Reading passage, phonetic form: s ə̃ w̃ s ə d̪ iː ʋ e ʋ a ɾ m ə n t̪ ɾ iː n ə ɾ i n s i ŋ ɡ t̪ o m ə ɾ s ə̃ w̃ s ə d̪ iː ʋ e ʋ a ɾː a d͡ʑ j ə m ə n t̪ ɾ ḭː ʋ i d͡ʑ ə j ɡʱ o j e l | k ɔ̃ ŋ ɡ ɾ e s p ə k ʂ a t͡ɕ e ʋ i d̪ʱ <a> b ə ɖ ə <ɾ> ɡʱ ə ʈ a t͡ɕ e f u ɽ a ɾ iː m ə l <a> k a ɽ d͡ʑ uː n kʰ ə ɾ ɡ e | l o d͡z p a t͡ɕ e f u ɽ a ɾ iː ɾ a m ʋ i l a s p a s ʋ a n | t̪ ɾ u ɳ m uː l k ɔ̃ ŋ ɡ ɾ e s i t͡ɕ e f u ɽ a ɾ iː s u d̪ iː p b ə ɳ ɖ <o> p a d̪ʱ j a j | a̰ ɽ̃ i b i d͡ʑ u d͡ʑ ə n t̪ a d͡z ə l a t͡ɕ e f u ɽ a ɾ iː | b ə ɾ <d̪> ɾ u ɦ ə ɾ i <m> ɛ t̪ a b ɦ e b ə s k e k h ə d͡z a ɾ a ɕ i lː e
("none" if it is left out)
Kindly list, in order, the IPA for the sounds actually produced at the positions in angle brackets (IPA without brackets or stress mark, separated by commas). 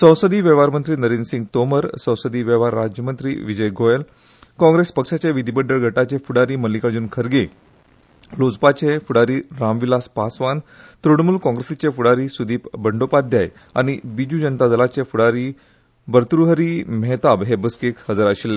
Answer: i, ɭ, i, o, t̪, m